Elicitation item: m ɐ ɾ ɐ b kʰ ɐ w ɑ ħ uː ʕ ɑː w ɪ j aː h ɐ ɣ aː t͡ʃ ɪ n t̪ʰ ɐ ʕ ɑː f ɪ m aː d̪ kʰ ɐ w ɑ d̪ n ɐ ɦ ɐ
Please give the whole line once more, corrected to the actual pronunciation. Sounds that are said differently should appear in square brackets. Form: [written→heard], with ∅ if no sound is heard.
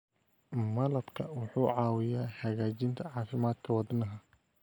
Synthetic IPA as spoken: m ɐ [ɾ→l] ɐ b kʰ ɐ w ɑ ħ uː ʕ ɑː w ɪ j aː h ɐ ɣ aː t͡ʃ ɪ n t̪ʰ ɐ ʕ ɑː f ɪ m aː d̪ kʰ ɐ w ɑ d̪ n ɐ ɦ ɐ